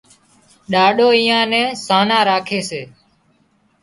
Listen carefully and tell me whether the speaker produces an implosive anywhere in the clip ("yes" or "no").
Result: yes